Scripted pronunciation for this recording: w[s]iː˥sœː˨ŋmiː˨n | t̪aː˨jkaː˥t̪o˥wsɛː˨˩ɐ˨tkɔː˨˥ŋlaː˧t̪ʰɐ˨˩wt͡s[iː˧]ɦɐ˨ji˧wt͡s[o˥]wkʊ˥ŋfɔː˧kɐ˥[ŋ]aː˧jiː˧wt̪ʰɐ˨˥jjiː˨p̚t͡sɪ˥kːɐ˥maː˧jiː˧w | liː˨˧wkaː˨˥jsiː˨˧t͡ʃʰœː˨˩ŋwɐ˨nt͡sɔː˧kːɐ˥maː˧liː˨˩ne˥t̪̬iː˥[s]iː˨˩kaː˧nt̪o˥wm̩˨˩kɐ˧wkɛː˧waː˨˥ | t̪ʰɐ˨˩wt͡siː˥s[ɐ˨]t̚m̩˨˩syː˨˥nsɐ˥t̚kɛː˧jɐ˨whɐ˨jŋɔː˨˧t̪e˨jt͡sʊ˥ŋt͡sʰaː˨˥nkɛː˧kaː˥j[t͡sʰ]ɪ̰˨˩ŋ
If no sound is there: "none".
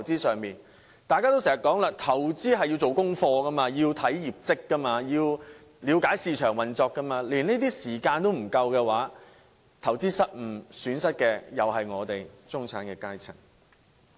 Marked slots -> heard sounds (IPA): t͡s, iː˥, o˨, m, s, ɐ˥, t͡sʰ

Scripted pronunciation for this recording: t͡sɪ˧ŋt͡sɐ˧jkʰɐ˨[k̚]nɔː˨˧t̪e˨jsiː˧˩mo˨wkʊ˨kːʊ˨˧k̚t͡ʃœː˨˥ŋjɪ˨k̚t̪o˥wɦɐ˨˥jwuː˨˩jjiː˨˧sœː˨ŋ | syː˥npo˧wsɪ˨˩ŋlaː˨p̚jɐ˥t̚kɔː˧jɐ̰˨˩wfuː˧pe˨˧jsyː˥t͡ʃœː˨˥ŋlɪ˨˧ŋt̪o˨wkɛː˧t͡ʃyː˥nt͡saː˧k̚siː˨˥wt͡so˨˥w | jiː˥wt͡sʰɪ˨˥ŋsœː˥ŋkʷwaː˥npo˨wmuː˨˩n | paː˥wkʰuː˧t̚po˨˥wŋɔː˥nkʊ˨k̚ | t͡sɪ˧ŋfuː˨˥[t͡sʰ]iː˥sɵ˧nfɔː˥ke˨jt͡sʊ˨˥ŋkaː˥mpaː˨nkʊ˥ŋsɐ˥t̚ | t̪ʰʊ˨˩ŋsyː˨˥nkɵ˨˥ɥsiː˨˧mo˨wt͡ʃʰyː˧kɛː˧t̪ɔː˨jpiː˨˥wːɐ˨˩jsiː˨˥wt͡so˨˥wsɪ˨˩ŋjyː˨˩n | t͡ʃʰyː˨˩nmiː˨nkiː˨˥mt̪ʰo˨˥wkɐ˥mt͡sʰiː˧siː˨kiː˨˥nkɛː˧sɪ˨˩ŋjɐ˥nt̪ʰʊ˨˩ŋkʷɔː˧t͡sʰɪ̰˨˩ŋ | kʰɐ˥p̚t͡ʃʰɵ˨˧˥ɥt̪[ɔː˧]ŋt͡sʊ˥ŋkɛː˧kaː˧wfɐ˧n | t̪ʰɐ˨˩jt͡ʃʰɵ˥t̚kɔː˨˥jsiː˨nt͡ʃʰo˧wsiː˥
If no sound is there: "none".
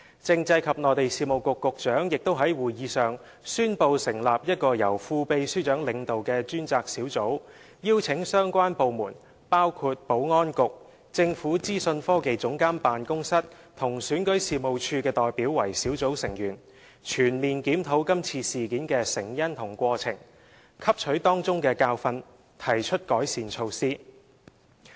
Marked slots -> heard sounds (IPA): p̚, t͡s, ɔː˥

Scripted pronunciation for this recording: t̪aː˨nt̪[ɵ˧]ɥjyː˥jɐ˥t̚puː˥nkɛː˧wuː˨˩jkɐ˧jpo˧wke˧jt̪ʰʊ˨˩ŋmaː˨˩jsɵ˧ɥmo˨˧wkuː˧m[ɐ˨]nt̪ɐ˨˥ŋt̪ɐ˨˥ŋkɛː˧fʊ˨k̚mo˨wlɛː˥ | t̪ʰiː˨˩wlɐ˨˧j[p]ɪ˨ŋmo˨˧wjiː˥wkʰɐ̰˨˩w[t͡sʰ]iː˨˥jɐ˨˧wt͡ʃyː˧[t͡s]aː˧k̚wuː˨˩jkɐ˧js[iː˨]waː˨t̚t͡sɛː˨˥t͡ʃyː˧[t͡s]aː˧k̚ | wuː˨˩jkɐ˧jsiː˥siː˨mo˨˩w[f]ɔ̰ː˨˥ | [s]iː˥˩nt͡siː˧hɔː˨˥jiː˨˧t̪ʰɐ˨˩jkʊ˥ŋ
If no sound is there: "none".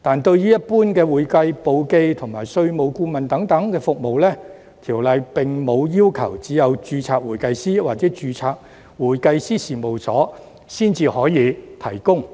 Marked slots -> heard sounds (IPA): ɵ˧, ɐ˨, p, t͡s, t͡sʰ, iː˥, t͡sʰ, s, s

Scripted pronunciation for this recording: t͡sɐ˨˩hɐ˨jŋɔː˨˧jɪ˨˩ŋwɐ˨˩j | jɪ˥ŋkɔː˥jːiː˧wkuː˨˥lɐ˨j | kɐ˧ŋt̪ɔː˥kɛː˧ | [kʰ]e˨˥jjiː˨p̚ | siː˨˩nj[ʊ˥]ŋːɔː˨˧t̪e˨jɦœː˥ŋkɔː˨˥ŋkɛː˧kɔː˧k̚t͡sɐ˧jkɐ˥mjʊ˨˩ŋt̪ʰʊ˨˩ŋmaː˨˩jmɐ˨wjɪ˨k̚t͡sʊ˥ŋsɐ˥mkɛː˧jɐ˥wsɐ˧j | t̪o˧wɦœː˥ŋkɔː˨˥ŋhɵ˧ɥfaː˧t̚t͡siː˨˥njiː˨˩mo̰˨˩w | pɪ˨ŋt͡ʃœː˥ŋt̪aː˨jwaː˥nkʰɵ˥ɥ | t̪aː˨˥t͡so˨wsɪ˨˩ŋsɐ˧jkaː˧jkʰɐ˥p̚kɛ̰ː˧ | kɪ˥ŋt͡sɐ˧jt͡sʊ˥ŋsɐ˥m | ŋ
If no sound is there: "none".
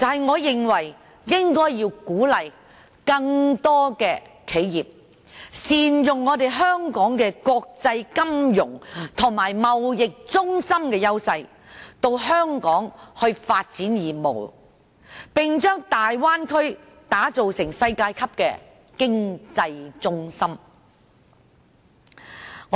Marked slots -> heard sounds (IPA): kʰ, ʊ˨

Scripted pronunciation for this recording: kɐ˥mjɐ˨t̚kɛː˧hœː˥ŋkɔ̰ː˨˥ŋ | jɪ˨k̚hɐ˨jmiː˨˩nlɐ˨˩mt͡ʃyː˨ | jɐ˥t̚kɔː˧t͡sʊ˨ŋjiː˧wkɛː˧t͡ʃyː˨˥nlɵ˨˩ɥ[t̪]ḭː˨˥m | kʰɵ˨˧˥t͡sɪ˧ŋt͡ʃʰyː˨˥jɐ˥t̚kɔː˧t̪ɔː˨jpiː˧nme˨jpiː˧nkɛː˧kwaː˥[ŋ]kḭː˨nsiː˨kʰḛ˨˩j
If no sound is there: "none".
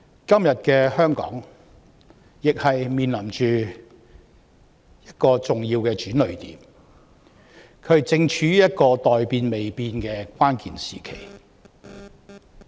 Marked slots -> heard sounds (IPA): t̪, n

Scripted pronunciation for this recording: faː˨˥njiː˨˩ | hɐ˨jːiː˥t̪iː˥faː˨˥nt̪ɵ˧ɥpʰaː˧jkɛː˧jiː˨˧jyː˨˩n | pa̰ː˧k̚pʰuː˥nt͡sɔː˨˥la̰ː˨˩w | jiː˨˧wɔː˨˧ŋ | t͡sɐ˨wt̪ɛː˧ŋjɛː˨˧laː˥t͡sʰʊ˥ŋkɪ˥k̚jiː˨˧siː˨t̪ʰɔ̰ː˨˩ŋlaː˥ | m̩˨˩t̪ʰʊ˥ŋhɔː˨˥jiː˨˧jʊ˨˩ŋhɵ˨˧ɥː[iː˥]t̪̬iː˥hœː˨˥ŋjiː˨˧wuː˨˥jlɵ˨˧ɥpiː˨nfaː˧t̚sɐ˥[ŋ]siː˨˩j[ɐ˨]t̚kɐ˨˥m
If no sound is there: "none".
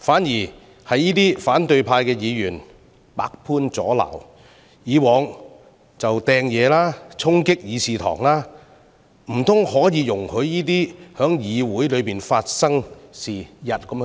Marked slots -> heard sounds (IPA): iː˥, ŋ, ɐ˨

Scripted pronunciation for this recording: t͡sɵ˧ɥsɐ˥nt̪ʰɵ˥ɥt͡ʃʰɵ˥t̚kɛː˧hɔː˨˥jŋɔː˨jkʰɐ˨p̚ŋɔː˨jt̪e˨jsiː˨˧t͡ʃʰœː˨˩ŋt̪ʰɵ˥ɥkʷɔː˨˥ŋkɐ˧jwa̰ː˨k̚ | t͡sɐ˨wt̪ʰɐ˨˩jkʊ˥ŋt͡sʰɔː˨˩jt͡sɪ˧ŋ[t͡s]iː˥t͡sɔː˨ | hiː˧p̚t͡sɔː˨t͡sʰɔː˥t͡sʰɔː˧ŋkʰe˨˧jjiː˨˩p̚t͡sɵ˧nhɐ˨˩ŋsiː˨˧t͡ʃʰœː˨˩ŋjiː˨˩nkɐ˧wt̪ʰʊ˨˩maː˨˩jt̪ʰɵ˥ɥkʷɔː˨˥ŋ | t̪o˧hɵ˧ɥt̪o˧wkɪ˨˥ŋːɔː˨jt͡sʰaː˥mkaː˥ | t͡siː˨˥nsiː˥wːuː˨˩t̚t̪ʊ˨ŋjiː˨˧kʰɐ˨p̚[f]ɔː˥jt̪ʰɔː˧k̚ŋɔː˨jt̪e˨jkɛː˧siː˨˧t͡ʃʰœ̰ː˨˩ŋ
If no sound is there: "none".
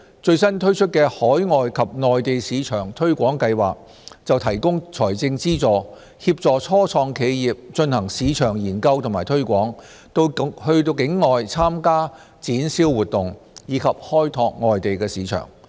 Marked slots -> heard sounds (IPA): t͡s, h

